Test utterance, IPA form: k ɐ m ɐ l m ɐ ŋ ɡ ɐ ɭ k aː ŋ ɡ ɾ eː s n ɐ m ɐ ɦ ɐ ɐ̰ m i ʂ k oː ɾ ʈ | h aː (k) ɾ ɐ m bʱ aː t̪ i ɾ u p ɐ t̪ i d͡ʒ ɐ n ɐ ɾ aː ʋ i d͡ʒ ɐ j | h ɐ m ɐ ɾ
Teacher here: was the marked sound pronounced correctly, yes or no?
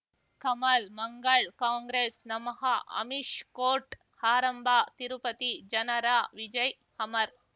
no